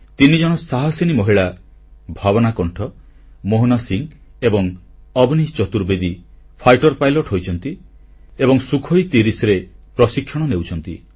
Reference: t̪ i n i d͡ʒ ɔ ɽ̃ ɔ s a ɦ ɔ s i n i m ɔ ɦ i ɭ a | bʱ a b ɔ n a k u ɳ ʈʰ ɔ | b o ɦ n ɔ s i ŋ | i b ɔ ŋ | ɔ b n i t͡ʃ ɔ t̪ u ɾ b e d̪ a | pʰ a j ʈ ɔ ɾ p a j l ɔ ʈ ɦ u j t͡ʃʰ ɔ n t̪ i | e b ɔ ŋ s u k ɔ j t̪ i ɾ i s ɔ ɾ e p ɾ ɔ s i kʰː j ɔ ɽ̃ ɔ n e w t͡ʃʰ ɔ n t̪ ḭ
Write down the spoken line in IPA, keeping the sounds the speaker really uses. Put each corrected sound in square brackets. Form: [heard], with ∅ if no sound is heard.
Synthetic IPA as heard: t̪ i n i d͡ʒ ɔ ɽ̃ ɔ s a ɦ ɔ s i n i m ɔ ɦ i ɭ a | bʱ a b ɔ n a k [ɔ] ɳ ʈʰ ɔ | [m] o ɦ n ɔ s i ŋ | [e] b ɔ ŋ | ɔ b n i t͡ʃ ɔ t̪ u ɾ b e d̪ [i] | pʰ a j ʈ ɔ ɾ p a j l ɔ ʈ ɦ [o] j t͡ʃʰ ɔ n t̪ i | e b ɔ ŋ s u [kʰ] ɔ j t̪ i ɾ i s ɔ ɾ e p ɾ ɔ s i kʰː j ɔ ɽ̃ ɔ n e w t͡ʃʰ ɔ n t̪ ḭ